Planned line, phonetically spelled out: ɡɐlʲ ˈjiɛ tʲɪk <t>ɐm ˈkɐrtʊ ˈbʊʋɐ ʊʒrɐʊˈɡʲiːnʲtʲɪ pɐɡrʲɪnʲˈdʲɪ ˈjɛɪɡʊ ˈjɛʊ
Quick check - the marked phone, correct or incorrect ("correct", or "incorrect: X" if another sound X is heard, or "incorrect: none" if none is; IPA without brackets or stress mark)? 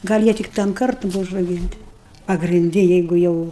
correct